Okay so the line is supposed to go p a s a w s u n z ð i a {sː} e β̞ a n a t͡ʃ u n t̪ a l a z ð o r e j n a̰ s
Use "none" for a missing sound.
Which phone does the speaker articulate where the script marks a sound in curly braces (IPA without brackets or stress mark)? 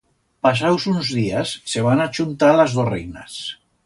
sː